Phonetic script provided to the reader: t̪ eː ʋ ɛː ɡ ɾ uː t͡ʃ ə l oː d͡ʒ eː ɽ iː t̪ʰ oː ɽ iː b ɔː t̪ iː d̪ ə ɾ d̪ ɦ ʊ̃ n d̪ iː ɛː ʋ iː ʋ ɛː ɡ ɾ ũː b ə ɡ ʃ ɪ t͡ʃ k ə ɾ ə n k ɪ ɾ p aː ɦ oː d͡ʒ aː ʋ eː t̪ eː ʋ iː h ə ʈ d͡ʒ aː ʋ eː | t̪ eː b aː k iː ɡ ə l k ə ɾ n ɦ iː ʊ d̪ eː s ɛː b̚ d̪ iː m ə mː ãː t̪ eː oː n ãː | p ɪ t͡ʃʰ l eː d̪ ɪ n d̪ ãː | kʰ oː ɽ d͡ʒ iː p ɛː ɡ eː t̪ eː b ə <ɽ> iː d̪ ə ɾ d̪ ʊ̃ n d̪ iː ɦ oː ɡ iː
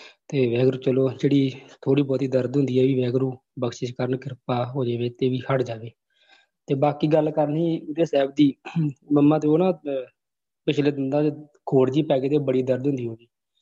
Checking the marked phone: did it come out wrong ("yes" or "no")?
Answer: no